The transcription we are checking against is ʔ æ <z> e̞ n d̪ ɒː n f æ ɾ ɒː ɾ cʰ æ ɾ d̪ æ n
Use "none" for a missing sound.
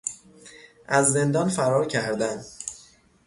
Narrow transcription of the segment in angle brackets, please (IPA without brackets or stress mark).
zː